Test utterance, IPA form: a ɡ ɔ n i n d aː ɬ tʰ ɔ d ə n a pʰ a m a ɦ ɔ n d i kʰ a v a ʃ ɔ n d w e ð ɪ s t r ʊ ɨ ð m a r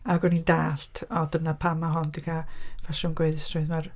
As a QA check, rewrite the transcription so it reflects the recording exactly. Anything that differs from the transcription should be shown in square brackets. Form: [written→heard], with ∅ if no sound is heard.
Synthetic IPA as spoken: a ɡ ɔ n i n d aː ɬ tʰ ɔ d ə n a pʰ a m a ɦ ɔ n d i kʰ a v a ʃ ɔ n [d→ɡ] w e ð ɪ s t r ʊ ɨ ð m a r